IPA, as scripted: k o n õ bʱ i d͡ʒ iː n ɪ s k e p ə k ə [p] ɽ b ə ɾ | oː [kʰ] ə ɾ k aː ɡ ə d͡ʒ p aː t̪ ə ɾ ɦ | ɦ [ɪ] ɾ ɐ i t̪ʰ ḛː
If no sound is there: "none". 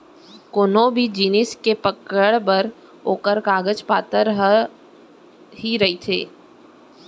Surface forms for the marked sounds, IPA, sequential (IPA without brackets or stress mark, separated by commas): none, k, i